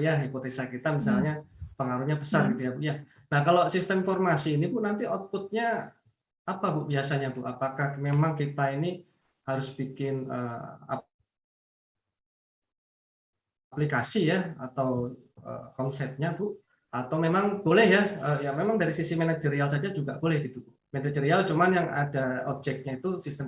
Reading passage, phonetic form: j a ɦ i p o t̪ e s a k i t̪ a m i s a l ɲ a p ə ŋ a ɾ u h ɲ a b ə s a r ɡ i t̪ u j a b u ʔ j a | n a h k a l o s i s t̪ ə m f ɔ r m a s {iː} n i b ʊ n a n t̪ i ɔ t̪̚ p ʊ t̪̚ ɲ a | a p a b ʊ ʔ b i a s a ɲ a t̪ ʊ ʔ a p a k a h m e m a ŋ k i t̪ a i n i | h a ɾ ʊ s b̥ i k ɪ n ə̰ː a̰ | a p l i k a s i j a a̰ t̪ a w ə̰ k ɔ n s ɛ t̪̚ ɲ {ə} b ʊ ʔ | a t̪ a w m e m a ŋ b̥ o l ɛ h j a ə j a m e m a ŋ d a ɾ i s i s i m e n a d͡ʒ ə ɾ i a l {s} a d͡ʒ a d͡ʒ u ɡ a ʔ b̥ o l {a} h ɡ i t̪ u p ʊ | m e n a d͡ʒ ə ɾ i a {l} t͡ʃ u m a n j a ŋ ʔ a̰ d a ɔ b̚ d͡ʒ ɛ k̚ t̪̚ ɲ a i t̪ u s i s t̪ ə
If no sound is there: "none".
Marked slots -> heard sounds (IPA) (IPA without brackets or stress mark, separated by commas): iː, a, s, ɛ, l